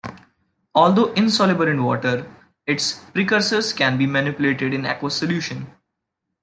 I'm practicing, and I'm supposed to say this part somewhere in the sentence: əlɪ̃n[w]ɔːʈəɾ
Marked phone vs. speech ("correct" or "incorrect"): incorrect